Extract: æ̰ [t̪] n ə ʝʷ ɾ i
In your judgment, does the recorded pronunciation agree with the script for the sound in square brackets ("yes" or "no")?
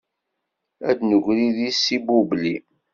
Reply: no